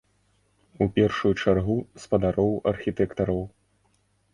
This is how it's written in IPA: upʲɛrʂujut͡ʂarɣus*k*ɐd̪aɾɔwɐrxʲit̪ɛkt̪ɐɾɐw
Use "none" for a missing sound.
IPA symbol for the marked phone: p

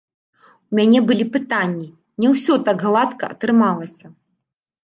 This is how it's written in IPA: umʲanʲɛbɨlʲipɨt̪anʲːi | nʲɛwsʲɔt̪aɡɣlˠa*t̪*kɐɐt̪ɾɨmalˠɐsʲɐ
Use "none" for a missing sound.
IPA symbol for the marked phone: t̪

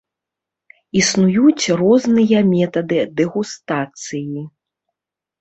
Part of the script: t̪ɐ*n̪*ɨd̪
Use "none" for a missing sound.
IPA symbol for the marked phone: d̪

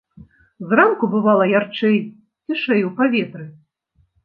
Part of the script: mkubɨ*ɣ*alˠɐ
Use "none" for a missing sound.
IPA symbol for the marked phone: v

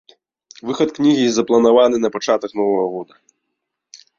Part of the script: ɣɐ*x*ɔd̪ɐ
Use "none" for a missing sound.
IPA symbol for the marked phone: ɣ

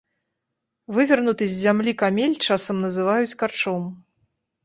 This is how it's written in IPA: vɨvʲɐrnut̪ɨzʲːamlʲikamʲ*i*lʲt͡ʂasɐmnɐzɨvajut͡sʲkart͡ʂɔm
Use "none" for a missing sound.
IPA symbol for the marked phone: e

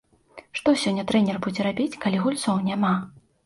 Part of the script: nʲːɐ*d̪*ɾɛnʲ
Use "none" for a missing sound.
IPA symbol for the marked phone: t̪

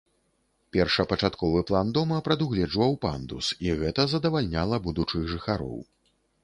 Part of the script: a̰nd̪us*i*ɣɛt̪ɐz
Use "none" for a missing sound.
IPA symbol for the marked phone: i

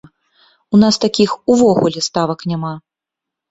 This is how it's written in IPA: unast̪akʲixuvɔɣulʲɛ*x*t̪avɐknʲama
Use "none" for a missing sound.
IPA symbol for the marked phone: s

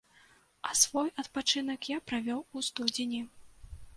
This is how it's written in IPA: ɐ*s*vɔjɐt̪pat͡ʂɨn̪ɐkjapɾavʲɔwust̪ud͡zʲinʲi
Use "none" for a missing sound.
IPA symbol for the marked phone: s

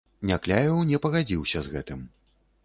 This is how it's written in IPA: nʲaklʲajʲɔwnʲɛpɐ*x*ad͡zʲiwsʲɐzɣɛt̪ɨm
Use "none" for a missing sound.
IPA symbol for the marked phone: ɣ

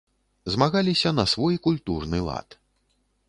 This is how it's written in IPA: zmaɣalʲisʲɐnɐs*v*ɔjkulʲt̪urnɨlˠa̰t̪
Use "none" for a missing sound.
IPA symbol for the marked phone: v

